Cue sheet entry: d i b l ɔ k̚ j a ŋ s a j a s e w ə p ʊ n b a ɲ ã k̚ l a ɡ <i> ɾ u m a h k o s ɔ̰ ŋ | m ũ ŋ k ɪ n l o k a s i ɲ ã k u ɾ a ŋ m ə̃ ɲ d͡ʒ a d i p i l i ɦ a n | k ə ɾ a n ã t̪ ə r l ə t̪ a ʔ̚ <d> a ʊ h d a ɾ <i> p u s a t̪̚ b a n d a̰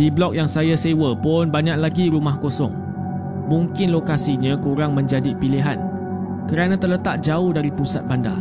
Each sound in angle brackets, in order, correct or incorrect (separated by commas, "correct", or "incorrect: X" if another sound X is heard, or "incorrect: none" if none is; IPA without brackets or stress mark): correct, incorrect: d͡ʒ, correct